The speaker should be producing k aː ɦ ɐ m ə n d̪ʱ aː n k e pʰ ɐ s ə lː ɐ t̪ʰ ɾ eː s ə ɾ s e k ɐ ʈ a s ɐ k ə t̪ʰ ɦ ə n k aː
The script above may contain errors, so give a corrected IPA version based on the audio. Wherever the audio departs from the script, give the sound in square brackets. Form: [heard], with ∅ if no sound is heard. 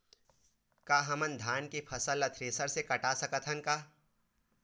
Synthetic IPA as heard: k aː ɦ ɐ m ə n d̪ʱ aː n k e pʰ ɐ s ə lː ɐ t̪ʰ ɾ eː s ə ɾ s e k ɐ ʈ a s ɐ k ə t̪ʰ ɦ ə n k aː